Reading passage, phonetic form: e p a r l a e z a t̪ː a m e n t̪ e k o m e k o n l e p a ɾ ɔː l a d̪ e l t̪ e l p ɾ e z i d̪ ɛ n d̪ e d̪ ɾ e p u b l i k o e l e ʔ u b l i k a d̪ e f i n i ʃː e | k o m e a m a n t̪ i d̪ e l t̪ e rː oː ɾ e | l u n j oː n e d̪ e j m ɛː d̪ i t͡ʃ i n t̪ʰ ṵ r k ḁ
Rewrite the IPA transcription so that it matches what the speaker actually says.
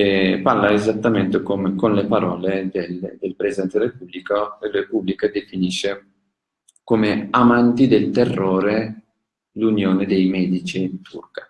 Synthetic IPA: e p a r l a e z a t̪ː a m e n t̪ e k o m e k o n l e p a ɾ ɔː l e d̪ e l d̪ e l p ɾ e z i d̪ ɛ n t̪ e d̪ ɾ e p u b l i k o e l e p u b l i k a d̪ e f i n i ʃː e | k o m e a m a n t̪ i d̪ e l t̪ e rː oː ɾ e | l u n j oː n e d̪ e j m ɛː d̪ i t͡ʃ i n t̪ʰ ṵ r k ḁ